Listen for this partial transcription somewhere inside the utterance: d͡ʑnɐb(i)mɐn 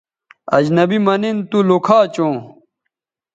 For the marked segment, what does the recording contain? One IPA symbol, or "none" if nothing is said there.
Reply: i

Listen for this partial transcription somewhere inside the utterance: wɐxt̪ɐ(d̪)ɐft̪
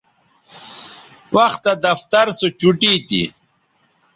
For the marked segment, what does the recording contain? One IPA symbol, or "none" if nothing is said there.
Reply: d̪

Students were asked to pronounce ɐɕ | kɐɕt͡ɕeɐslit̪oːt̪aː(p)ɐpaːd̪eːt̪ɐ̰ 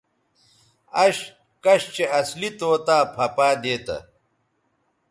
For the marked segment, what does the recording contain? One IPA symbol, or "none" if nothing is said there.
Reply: pʰ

